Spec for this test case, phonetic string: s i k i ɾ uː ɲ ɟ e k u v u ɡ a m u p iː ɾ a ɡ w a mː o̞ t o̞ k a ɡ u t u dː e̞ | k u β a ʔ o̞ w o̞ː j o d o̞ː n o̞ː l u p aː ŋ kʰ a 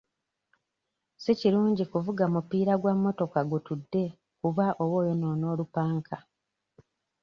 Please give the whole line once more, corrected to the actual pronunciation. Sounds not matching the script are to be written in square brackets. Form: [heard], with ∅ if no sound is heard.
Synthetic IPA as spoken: s i [c] i ɾ uː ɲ ɟ [i] k u v u ɡ a m u p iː ɾ a ɡ w a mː o̞ t o̞ k a ɡ u t u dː e̞ | k u β a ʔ o̞ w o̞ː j o [n] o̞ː n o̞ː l u p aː ŋ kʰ a